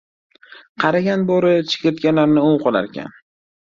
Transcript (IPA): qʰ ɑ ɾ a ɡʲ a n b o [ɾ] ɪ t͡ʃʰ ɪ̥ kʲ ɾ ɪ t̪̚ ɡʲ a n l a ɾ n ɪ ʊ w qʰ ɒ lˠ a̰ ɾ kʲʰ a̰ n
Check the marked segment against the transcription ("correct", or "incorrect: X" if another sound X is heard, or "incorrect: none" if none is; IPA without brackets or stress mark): correct